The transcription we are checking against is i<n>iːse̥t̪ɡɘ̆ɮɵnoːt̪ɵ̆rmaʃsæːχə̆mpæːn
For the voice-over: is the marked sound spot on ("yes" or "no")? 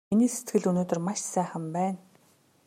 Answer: yes